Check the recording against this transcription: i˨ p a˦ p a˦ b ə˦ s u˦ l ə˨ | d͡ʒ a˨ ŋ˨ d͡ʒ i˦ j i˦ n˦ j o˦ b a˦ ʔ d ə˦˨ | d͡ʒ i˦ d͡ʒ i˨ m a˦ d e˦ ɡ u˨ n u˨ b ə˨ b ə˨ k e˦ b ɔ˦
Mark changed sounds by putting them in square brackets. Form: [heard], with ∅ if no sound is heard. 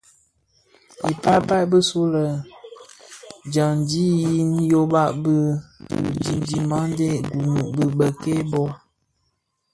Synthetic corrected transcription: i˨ p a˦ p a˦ b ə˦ s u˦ l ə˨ | d͡ʒ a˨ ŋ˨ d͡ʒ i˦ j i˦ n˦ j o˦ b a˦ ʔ [b] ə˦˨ | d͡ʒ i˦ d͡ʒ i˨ m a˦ d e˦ ɡ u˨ n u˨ b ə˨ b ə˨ k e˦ b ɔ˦